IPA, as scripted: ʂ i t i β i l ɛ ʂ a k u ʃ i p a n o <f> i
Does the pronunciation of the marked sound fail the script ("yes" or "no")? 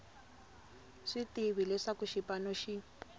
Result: yes